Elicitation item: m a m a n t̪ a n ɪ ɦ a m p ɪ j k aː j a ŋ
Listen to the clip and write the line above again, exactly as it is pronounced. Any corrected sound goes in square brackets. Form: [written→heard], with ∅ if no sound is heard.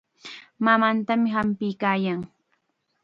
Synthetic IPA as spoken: m a m a n t̪ a [n→m] ɪ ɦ a m p ɪ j k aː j a ŋ